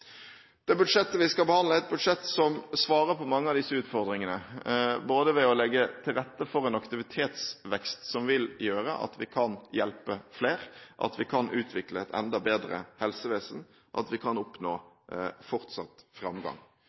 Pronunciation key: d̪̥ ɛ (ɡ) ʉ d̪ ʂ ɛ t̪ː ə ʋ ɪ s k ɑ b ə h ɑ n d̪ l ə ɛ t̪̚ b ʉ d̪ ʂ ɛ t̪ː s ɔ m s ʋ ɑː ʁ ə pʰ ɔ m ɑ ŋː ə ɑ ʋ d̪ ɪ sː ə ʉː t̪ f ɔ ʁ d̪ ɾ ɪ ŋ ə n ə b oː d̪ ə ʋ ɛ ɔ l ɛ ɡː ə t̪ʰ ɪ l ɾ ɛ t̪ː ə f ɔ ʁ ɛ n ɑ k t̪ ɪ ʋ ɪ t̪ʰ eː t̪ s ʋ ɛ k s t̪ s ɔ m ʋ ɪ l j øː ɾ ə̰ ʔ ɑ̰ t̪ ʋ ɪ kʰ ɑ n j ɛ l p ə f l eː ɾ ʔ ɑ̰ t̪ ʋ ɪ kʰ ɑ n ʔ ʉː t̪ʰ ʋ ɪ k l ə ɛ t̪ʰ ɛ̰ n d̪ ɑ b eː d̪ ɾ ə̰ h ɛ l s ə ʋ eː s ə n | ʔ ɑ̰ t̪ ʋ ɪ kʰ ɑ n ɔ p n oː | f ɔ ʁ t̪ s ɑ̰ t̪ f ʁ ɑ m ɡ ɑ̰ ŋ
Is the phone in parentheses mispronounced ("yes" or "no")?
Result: yes